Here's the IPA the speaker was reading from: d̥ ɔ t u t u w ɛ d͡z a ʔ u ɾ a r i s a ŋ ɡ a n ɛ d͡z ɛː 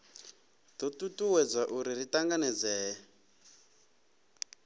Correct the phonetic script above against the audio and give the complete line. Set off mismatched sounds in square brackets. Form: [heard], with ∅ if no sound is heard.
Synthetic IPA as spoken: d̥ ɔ t u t u w ɛ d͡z a ʔ u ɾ [i] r i [t] a ŋ ɡ a n ɛ d͡z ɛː